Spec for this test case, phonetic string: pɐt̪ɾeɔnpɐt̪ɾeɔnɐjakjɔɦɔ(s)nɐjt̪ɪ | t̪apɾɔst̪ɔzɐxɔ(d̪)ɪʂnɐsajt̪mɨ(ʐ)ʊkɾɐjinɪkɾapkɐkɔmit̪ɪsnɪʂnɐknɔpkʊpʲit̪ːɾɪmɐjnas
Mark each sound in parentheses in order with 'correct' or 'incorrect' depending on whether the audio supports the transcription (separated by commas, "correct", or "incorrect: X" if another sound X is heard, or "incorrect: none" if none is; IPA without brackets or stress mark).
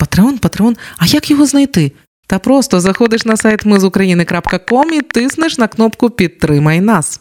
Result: incorrect: z, correct, incorrect: z